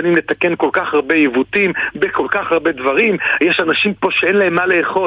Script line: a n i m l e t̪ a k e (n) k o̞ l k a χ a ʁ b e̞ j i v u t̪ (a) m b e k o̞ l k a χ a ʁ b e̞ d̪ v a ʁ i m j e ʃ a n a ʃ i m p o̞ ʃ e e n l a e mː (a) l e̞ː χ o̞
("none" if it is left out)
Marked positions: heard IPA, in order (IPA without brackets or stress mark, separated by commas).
n, i, a